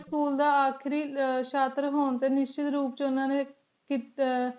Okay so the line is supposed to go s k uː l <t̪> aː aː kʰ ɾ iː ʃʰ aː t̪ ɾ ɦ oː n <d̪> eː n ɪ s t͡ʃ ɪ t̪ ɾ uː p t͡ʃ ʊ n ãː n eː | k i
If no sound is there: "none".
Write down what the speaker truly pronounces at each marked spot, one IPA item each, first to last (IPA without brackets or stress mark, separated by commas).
d̪, t̪